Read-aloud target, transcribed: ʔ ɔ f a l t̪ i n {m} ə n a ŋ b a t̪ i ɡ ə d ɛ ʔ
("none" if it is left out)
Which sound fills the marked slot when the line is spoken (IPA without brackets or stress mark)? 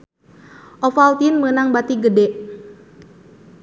m